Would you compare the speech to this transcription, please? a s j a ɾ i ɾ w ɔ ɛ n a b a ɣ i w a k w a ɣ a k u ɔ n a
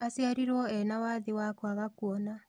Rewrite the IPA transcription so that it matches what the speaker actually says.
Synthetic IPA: a s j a ɾ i ɾ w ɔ ɛ n a w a ð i w a k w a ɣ a k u ɔ n a